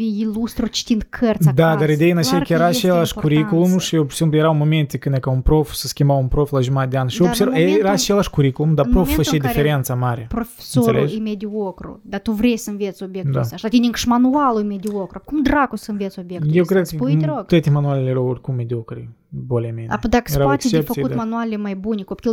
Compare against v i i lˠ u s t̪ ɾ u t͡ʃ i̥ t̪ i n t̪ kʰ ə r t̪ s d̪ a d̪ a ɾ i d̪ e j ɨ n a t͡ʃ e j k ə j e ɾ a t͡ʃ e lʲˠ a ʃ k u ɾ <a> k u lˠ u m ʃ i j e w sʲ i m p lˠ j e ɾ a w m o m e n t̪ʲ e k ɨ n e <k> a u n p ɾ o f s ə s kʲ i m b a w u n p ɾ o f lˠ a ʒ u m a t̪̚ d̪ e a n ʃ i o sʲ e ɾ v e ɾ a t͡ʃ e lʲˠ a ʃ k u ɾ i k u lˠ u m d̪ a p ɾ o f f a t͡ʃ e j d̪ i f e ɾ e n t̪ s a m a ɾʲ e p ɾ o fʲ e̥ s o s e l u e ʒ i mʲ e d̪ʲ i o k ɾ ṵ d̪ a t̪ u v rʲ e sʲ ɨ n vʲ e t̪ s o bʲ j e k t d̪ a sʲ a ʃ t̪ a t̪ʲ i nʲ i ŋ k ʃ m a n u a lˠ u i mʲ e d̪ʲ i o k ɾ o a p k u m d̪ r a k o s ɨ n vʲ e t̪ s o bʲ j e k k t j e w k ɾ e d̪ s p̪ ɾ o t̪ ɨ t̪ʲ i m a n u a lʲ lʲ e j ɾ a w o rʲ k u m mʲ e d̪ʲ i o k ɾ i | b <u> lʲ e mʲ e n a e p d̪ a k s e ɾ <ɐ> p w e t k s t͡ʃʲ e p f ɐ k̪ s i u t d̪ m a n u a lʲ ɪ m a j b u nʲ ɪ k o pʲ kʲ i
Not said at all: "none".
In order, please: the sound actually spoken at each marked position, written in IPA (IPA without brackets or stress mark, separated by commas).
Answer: i, k, o, a